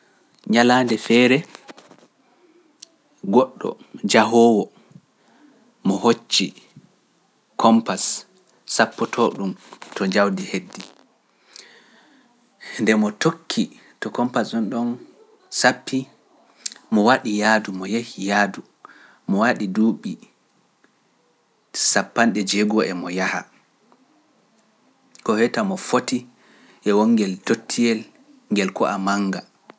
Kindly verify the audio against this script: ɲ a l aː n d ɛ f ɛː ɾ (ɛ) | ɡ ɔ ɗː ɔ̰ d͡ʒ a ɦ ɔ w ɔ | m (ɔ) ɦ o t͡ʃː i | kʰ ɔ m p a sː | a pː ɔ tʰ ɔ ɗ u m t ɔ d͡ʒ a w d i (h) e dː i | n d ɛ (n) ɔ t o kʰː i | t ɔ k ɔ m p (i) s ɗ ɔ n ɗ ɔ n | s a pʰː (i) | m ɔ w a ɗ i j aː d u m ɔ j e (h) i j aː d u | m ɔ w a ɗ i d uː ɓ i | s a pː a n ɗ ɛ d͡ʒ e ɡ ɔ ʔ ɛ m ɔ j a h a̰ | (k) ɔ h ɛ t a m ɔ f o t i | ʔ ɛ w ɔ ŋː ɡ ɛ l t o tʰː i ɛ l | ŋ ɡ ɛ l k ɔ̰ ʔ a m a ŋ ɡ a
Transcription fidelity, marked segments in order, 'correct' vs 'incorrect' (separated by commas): correct, correct, correct, incorrect, incorrect, correct, correct, correct